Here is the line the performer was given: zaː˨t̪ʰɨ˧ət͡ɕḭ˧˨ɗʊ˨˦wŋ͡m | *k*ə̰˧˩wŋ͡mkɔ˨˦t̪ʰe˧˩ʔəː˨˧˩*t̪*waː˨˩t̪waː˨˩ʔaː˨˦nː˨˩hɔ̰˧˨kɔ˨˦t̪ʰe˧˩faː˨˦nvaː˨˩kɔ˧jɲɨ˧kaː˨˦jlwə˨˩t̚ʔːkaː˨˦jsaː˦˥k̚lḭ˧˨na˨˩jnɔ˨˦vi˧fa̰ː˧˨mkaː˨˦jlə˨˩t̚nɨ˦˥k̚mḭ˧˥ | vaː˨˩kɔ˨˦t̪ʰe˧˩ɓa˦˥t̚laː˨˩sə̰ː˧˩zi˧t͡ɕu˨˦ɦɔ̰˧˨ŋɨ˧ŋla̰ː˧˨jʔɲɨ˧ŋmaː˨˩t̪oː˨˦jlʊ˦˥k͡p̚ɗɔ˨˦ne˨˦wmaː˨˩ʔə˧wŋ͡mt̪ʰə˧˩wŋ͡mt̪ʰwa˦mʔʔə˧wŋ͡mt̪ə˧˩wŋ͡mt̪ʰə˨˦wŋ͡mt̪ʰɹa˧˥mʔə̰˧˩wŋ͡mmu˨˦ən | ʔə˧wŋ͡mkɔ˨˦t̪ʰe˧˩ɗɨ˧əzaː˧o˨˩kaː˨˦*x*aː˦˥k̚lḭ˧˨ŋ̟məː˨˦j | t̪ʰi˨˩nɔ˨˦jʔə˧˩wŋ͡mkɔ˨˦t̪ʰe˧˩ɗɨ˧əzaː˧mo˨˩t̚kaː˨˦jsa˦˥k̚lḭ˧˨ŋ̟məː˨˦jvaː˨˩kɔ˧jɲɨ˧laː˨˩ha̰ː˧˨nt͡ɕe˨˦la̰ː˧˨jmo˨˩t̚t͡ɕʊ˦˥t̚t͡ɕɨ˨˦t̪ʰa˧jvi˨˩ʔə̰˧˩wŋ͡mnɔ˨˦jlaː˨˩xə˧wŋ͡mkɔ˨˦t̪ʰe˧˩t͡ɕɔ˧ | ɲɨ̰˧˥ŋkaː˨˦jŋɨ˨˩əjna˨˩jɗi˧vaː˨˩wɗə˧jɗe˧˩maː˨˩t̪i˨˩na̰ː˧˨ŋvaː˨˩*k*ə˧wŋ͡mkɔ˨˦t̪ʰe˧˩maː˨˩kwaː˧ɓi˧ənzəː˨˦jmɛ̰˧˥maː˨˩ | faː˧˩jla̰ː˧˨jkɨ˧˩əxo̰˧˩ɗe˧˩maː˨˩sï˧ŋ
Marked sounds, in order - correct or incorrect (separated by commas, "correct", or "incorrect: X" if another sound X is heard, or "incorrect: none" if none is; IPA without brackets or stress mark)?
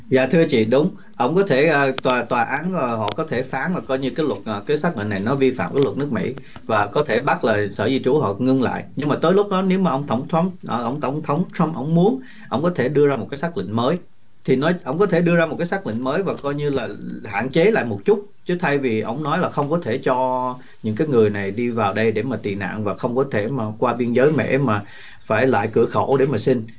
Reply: incorrect: ʔ, correct, incorrect: s, incorrect: x